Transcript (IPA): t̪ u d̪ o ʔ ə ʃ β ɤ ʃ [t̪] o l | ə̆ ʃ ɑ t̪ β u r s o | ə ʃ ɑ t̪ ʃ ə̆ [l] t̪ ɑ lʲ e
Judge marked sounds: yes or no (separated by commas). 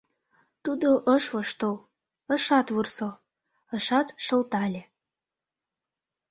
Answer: yes, yes